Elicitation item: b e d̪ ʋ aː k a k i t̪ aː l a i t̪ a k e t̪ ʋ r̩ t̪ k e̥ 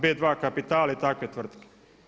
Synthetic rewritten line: b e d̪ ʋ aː k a p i t̪ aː l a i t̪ a k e t̪ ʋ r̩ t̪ k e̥